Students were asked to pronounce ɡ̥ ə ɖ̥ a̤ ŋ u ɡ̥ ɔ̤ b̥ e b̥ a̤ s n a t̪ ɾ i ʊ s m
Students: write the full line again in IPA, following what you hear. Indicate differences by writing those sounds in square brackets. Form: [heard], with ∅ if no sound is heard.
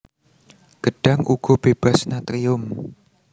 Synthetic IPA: ɡ̥ ə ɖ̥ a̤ ŋ u ɡ̥ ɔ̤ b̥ e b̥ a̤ s n a t̪ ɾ i ʊ [∅] m